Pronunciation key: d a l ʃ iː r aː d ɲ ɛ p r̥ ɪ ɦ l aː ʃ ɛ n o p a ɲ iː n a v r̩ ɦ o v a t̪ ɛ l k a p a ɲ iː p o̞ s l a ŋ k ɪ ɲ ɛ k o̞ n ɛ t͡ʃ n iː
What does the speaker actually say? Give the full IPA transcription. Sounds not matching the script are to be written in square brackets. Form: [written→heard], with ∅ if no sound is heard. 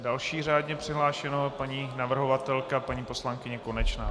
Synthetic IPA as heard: d a l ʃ iː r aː d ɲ ɛ p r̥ ɪ ɦ l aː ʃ ɛ n o p a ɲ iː n a v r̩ ɦ o v a t̪ ɛ l k a p a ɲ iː p o̞ s l a ŋ k ɪ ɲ ɛ k o̞ n ɛ t͡ʃ n [iː→aː]

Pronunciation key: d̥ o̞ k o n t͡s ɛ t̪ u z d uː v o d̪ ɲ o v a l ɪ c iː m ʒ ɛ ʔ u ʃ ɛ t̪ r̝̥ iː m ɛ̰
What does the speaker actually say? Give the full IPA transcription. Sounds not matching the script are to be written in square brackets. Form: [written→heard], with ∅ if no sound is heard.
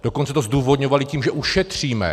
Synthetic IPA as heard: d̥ o̞ k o n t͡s ɛ t̪ [u→o] z d uː v o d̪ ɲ o v a l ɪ c iː m ʒ ɛ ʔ u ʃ ɛ t̪ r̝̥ iː m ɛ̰

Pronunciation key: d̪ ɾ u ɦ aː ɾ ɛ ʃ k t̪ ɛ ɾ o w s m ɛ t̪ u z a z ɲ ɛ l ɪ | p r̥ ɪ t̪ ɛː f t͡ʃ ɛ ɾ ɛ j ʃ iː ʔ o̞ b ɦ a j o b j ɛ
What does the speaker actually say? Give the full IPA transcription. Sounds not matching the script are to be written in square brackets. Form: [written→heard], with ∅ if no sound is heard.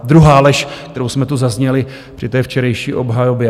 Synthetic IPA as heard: d̪ ɾ u ɦ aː [ɾ→l] ɛ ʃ k t̪ ɛ ɾ o w s m ɛ t̪ u z a z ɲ ɛ l ɪ | p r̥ ɪ t̪ ɛː f t͡ʃ ɛ ɾ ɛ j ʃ iː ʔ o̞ b ɦ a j o b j ɛ

